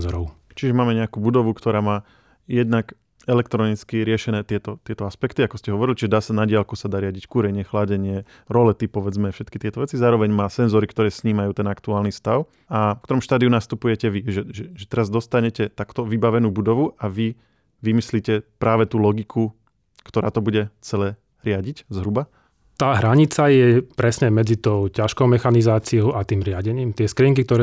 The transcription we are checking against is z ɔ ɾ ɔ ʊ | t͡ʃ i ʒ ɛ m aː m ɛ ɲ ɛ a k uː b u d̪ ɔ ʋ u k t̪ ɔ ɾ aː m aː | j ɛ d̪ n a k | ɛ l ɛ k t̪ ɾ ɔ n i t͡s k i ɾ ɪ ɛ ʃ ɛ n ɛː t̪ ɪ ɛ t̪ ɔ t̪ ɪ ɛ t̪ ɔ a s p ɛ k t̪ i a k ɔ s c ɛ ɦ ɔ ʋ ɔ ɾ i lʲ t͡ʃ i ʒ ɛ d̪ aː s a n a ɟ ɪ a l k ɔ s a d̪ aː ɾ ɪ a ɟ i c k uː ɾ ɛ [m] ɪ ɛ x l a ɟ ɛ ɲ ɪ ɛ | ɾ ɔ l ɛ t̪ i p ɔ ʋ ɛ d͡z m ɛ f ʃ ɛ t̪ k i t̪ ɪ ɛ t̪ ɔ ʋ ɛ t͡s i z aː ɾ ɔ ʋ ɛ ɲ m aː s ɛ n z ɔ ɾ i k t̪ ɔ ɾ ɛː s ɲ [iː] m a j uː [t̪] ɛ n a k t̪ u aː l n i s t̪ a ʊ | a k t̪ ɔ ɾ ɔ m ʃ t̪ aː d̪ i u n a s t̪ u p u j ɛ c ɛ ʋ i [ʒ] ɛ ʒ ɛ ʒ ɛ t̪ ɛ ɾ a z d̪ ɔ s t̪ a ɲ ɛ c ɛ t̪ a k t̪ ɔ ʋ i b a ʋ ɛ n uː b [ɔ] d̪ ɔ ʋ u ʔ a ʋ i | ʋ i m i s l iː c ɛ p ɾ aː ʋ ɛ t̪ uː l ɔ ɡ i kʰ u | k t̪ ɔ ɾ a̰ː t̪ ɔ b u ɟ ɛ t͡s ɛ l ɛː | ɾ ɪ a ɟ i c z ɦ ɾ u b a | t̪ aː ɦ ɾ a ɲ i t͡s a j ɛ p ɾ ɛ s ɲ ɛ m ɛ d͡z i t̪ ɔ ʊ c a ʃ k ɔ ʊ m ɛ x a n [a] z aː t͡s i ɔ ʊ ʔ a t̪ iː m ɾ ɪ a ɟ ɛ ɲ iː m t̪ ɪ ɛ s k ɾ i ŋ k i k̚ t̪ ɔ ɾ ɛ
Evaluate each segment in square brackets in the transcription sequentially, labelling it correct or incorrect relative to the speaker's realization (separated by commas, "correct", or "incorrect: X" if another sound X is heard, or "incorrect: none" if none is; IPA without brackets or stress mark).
incorrect: ɲ, correct, correct, correct, incorrect: u, incorrect: i